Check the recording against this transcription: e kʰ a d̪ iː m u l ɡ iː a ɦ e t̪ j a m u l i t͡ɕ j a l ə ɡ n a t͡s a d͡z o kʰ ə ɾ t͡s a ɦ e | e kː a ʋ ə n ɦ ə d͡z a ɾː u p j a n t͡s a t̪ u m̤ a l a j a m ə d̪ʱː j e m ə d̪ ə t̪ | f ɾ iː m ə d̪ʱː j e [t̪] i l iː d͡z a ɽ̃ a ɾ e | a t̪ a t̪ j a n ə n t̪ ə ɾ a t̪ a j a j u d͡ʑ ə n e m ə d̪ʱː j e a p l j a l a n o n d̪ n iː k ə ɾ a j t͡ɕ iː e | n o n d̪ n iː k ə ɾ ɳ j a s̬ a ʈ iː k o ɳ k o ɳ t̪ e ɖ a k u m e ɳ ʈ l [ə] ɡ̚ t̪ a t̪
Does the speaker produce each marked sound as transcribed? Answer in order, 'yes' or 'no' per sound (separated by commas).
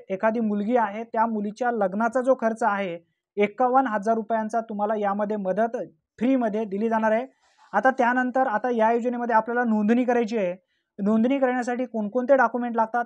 no, no